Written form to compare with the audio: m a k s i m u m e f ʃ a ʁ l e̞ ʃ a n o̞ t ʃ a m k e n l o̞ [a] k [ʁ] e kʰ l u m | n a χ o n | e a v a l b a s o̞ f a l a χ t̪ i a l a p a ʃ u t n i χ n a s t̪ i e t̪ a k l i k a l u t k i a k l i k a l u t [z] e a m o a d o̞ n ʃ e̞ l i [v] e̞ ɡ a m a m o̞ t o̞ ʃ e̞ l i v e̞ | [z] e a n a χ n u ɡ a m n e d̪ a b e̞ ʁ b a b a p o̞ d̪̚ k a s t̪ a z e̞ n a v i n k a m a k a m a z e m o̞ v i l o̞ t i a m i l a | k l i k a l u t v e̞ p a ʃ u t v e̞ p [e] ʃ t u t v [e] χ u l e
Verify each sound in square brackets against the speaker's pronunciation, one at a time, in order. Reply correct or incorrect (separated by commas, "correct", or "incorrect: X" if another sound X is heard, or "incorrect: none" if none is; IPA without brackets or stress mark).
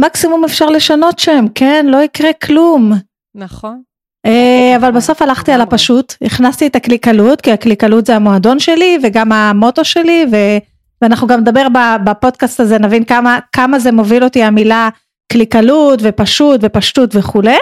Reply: incorrect: i, correct, correct, correct, incorrect: v, incorrect: a, correct